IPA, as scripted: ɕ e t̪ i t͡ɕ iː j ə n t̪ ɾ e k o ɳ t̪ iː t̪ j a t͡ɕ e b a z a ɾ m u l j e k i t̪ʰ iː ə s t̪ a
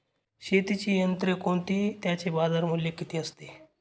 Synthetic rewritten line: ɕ e t̪ i t͡ɕ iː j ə n t̪ ɾ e k o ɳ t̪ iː t̪ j a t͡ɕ e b a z a ɾ m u l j e k i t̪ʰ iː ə s t̪ e